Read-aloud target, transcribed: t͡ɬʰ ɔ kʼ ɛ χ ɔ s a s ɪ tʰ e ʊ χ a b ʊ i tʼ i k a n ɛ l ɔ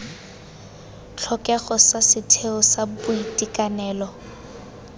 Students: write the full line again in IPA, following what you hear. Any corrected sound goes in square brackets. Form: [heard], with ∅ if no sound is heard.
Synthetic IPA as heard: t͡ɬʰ ɔ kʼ ɛ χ ɔ s a s ɪ tʰ e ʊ [s] a b ʊ i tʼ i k a n [ɛː] l ɔ